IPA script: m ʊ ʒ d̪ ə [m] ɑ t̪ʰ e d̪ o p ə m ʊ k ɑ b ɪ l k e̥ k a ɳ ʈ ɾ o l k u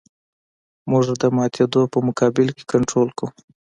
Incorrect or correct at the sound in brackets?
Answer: correct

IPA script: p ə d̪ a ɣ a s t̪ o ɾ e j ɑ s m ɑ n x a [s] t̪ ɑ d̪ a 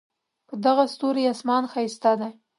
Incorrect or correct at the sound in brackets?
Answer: correct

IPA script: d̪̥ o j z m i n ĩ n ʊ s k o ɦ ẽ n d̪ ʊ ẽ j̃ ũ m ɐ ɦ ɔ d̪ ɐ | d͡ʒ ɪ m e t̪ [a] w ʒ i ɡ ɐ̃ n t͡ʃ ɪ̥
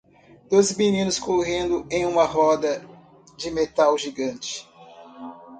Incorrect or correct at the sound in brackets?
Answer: correct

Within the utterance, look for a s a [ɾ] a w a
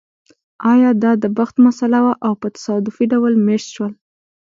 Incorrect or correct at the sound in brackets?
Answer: incorrect: l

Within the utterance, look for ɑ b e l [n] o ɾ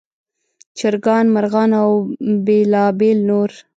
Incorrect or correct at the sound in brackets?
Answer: correct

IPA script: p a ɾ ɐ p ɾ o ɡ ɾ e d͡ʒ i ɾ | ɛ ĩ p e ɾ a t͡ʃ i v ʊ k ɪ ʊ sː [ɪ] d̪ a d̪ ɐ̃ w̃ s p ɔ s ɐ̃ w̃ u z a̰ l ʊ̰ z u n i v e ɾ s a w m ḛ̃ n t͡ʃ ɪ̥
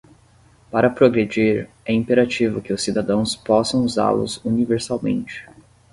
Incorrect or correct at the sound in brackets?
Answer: incorrect: i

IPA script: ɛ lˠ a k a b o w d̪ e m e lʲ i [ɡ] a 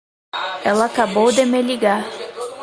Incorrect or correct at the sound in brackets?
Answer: correct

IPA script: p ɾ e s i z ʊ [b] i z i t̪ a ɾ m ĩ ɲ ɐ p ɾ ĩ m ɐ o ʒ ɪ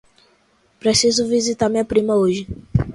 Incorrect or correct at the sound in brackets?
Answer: incorrect: v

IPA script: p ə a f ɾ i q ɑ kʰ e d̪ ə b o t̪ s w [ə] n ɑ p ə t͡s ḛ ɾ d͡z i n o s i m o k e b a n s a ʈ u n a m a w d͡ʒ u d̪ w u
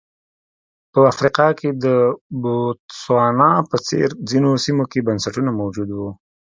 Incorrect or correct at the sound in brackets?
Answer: incorrect: ɑ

